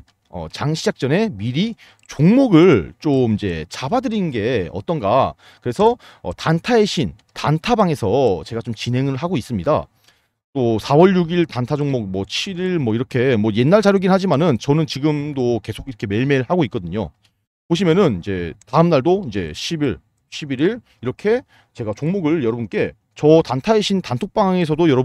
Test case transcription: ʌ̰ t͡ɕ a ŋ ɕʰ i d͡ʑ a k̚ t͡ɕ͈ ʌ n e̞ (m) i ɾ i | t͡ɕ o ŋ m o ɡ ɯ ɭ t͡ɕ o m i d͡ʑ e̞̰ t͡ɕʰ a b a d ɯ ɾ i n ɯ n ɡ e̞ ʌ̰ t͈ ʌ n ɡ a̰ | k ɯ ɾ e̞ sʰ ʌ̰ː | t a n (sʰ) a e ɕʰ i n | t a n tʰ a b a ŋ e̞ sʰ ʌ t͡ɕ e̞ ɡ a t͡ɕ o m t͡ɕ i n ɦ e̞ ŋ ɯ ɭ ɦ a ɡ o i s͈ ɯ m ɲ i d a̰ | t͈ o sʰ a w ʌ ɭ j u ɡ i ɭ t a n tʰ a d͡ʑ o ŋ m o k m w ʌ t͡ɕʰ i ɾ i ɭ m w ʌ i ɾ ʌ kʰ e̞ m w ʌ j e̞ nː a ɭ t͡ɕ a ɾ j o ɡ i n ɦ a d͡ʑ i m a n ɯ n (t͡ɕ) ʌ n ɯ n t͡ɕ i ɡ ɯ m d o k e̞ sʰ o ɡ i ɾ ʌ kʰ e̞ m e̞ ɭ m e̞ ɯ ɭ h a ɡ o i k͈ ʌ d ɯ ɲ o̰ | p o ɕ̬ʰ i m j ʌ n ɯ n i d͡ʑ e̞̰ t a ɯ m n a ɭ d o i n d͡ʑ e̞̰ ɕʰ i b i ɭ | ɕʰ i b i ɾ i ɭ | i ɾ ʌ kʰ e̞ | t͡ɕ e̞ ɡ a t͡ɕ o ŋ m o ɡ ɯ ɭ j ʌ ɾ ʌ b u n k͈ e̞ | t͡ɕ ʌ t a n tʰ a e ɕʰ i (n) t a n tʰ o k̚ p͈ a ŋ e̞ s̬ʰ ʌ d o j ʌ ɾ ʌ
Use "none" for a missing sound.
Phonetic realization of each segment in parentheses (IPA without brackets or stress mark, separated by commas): m, tʰ, t͡ɕ, n